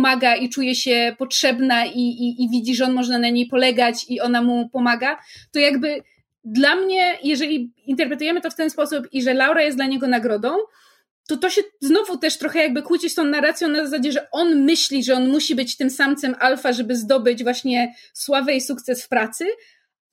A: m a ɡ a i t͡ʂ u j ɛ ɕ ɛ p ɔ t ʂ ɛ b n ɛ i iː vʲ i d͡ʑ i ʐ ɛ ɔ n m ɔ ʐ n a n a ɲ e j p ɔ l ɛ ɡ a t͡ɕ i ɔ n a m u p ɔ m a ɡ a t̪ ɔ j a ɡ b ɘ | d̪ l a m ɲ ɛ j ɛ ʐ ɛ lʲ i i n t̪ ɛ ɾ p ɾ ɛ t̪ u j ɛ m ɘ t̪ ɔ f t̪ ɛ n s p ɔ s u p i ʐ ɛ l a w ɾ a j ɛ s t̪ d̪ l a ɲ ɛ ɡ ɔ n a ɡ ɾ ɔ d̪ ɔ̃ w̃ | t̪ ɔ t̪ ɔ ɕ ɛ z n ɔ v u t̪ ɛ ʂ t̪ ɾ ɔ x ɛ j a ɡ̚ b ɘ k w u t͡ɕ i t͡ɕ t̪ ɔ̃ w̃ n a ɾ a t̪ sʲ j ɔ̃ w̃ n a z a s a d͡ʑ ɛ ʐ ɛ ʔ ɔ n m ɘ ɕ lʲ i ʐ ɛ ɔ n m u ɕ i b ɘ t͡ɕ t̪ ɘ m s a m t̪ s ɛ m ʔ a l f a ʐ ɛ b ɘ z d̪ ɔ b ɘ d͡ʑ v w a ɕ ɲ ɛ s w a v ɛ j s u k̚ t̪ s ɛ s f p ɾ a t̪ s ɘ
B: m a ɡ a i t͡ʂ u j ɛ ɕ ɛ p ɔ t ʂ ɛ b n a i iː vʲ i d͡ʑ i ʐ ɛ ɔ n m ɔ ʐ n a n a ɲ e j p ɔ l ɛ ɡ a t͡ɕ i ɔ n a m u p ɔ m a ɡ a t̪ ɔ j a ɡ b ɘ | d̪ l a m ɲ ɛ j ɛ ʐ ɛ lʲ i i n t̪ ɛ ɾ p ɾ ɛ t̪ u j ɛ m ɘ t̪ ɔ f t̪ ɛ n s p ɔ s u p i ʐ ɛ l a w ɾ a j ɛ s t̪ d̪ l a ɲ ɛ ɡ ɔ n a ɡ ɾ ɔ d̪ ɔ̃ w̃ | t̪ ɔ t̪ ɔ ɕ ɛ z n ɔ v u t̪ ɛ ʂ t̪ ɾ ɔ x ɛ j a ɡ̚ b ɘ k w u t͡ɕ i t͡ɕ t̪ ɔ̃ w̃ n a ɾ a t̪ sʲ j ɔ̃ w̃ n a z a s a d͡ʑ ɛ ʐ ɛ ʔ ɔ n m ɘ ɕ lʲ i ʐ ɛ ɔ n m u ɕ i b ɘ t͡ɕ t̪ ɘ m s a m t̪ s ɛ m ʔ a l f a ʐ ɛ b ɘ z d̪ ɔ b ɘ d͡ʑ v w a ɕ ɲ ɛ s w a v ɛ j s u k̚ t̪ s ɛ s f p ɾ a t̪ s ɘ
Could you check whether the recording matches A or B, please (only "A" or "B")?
B